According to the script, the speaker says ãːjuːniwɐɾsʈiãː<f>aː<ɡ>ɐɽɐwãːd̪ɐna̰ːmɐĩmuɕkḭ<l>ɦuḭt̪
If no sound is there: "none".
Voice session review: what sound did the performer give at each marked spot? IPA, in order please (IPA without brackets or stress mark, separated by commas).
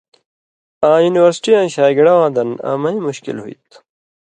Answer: ɕ, ɡ, l